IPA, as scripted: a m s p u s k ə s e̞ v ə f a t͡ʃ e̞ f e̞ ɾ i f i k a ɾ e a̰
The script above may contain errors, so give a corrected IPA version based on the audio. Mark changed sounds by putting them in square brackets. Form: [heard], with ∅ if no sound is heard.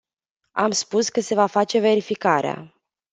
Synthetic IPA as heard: a m s p u s k ə s e̞ v [a] f a t͡ʃ e̞ [v] e̞ ɾ i f i k a ɾ e a̰

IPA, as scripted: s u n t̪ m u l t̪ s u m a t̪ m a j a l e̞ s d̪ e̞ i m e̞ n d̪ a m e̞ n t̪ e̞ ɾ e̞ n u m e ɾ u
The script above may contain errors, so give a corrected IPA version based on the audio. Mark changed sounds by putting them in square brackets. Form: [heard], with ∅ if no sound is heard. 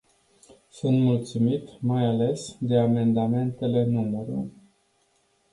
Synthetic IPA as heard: s u n t̪ m u l t̪ s u m [i] t̪ m a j a l e̞ s d̪ e̞ [a] m e̞ n d̪ a m e̞ n t̪ e̞ [l] e̞ n u m e ɾ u

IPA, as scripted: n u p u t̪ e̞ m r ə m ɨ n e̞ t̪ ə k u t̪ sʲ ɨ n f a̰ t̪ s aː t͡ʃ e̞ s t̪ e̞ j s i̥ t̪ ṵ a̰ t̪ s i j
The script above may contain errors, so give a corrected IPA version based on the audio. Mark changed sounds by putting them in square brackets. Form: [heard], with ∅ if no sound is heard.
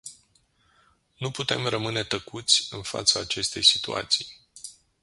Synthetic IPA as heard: n u p u t̪ e̞ m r ə m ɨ n e̞ t̪ ə k u t̪ sʲ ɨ n f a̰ t̪ s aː t͡ʃ e̞ s t̪ e̞ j s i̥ t̪ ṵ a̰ t̪ s i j

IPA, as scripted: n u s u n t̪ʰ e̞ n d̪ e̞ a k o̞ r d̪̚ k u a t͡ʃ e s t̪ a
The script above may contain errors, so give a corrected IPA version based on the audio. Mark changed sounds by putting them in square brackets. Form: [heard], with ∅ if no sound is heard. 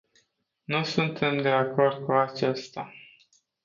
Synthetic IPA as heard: n u s u n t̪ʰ e̞ [m] d̪ e̞ a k o̞ r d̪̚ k u a t͡ʃ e s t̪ a

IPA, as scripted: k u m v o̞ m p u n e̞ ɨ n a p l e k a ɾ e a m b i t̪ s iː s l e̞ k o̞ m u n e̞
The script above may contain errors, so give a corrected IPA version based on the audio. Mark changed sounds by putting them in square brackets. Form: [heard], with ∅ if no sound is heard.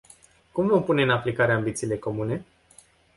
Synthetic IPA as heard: k u m v o̞ m p u n e̞ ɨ n a p l [i] k a ɾ e a m b i t̪ s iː [∅] l e̞ k o̞ m u n e̞

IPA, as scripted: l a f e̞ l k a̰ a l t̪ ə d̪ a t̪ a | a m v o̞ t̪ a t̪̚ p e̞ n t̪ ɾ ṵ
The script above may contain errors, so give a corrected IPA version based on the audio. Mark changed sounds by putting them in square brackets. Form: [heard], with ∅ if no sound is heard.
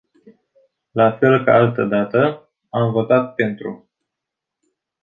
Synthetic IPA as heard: l a f e̞ l k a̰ a l t̪ ə d̪ a t̪ [ə] | a m v o̞ t̪ a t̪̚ p e̞ n t̪ ɾ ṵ

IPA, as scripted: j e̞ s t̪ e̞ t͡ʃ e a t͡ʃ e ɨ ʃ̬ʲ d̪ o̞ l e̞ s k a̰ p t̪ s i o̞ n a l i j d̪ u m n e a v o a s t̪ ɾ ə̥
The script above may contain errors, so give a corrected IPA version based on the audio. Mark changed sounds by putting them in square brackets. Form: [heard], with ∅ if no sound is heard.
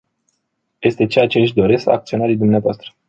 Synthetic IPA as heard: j e̞ s t̪ e̞ t͡ʃ e a t͡ʃ e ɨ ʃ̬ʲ d̪ o̞ [ɾ] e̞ s k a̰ [k] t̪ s i o̞ n a [ɾ] i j d̪ u m n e a v o a s t̪ ɾ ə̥

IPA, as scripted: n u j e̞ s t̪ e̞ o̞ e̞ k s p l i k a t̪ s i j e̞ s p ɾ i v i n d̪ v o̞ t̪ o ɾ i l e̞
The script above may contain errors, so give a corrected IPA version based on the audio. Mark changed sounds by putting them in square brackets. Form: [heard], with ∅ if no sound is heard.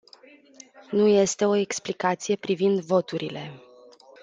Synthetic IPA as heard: n u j e̞ s t̪ e̞ o̞ e̞ k s p l i k a t̪ s i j e̞ [∅] p ɾ i v i n d̪ v o̞ t̪ [u] ɾ i l e̞

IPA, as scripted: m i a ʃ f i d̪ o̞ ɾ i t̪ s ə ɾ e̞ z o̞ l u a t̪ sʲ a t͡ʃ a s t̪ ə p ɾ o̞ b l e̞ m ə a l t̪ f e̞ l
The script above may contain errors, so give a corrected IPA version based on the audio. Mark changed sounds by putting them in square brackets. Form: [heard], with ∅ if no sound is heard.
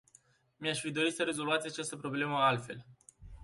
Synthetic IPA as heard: m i a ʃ f i d̪ o̞ ɾ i t̪ s ə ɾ e̞ z o̞ l u a t̪ sʲ a t͡ʃ a s t̪ ə p ɾ o̞ b l e̞ m ə a l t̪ f e̞ l

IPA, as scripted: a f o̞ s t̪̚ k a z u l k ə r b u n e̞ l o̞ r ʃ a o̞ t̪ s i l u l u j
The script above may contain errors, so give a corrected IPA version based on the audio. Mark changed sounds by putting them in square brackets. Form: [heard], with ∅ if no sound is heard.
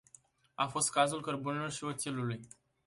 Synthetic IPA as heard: a f o̞ s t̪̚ k a z u l k ə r b u n e̞ l o̞ r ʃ [i] o̞ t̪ s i l u l u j

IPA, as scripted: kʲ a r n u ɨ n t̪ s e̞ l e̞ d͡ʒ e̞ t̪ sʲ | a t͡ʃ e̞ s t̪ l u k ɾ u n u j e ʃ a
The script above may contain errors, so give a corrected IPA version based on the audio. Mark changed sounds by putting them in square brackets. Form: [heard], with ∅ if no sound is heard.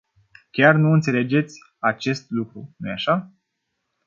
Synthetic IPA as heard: kʲ a r n u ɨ n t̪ s e̞ l e̞ d͡ʒ e̞ t̪ sʲ | a t͡ʃ e̞ s t̪ l u k ɾ u n u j [a] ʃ a

